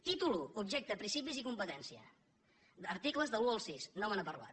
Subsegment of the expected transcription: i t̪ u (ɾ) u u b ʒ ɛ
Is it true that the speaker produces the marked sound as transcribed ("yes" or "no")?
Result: no